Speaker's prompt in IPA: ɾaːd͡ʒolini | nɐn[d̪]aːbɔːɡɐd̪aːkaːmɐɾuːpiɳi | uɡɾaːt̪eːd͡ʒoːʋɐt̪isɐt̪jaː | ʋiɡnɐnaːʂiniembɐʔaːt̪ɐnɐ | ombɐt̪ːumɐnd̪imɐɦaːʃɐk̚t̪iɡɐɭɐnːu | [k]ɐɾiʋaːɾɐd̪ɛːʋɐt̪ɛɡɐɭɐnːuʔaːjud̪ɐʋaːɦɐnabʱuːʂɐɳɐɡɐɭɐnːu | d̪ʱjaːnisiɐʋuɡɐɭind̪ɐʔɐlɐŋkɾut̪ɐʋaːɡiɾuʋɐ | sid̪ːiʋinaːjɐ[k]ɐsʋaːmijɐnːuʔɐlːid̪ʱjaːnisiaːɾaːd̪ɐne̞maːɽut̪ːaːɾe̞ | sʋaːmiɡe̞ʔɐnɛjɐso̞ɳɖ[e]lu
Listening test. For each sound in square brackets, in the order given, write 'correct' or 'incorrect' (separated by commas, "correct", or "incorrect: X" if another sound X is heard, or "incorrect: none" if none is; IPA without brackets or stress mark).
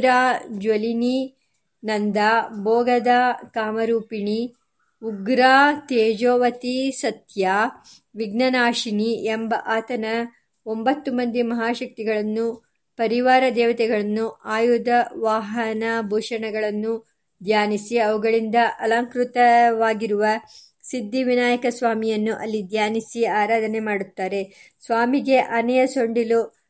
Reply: correct, incorrect: p, correct, incorrect: i